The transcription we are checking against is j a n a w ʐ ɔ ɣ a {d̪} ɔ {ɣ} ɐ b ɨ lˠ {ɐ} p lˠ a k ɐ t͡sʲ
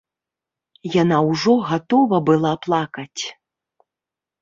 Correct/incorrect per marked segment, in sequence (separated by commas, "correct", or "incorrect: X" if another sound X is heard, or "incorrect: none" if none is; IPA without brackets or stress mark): incorrect: t̪, incorrect: v, incorrect: a